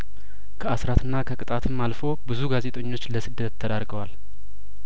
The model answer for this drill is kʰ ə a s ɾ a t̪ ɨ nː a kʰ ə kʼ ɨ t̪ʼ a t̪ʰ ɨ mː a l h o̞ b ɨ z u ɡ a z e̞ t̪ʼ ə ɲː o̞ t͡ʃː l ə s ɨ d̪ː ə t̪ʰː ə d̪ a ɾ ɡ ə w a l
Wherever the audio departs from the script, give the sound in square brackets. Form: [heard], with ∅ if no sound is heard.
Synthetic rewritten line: kʰ ə a s ɾ a t̪ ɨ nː a kʰ ə kʼ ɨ t̪ʼ a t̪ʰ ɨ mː a l [f] o̞ b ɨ z u ɡ a z e̞ t̪ʼ ə ɲː o̞ t͡ʃː l ə s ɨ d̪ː ə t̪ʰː ə d̪ a ɾ ɡ ə w a l